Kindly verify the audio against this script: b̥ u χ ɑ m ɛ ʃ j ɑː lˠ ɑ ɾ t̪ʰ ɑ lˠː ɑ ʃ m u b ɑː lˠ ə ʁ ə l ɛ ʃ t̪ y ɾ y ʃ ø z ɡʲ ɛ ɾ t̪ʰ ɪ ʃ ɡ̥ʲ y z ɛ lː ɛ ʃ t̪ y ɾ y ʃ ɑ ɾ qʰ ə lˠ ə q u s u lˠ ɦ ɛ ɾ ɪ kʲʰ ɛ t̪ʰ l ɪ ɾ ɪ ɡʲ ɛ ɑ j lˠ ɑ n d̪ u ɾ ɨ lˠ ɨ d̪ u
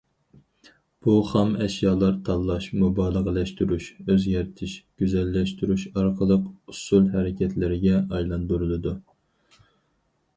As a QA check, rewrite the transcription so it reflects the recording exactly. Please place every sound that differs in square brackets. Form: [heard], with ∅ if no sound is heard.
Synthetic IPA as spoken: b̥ u χ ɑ m ɛ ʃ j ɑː lˠ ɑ ɾ t̪ʰ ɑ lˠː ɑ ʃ m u b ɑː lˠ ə ʁ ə l ɛ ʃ t̪ y ɾ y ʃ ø z ɡʲ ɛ ɾ t̪ʰ ɪ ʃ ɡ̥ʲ y z ɛ lː ɛ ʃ t̪ y ɾ y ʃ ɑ ɾ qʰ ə lˠ ə q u s u lˠ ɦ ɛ ɾ ɪ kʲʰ ɛ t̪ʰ l ɪ ɾ ɪ ɡʲ ɛ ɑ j lˠ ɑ n d̪ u ɾ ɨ lˠ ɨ d̪ u